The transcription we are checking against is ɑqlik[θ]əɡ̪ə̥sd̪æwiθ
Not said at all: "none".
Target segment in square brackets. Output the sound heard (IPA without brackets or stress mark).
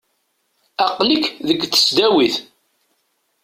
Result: ð